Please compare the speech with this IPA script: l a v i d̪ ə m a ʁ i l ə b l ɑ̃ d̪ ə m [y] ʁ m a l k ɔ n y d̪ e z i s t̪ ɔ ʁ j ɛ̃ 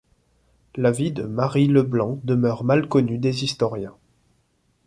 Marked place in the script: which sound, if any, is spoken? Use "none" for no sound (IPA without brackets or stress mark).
œ